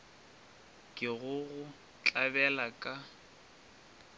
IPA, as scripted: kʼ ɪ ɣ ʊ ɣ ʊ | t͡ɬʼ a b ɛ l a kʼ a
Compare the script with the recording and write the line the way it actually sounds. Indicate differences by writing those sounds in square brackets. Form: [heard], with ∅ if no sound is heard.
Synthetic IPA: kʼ ɪ ɣ ʊ ɣ ʊ | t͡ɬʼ a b ɛ l a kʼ a